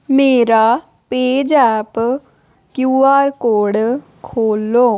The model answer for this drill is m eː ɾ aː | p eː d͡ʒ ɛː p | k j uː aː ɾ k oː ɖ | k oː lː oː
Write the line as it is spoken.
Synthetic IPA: m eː ɾ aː | p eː d͡ʒ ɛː p | k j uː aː ɾ k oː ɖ | kʰ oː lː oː